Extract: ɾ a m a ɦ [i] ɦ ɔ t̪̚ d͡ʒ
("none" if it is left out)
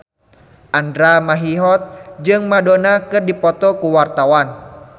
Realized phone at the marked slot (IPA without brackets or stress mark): i